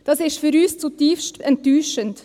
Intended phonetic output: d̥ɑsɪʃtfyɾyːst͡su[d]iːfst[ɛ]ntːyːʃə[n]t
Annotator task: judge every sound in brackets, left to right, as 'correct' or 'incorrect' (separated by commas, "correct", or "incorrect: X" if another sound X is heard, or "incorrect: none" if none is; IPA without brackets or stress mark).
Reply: incorrect: t, correct, correct